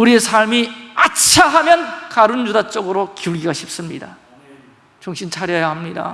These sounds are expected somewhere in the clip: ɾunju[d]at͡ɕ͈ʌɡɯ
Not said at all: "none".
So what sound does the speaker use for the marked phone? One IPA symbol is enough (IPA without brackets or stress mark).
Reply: d